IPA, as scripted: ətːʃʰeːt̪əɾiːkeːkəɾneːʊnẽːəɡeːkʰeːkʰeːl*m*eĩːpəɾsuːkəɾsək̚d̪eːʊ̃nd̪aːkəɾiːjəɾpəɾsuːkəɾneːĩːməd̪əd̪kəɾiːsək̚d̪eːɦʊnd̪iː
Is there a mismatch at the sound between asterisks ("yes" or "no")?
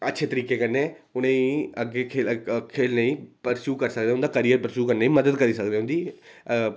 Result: yes